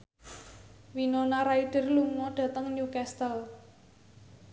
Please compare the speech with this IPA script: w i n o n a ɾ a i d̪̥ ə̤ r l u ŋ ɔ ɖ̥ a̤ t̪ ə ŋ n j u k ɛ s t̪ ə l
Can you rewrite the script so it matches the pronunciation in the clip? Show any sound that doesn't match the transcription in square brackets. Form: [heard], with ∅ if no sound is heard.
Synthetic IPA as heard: w i n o n a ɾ a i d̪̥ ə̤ r l u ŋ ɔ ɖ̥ a̤ t̪ ə ŋ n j u k ɛ s t̪ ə l